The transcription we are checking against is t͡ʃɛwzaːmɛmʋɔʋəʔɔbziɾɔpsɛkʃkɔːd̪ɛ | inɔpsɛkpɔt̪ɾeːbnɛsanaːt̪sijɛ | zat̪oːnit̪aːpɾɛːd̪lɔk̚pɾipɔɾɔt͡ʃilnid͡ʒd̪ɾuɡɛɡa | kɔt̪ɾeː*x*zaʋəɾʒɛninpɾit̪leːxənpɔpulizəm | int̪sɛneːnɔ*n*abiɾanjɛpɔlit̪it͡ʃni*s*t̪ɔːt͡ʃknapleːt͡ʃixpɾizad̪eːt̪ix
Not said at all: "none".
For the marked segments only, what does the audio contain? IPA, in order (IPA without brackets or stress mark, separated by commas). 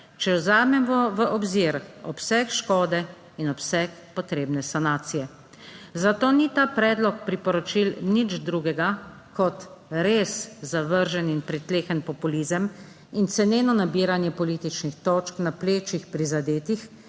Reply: s, n, x